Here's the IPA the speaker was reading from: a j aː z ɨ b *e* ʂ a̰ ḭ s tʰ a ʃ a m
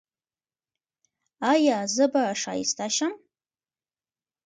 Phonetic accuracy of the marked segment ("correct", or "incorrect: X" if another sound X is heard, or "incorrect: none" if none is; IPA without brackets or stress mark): incorrect: a